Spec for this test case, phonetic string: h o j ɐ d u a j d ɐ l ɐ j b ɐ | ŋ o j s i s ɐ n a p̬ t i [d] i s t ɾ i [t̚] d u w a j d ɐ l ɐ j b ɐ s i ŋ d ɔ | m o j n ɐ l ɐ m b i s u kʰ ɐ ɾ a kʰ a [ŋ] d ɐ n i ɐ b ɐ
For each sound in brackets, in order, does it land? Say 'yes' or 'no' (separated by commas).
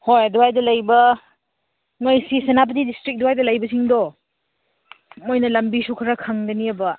yes, no, yes